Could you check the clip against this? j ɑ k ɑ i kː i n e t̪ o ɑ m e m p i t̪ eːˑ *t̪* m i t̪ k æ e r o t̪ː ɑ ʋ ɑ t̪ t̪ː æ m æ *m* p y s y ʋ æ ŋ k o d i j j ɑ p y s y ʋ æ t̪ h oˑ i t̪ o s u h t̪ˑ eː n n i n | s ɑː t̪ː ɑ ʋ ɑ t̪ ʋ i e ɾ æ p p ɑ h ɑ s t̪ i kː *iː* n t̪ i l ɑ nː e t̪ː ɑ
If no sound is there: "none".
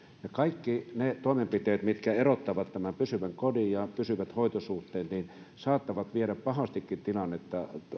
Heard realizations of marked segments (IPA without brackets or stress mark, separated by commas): t̪, m, i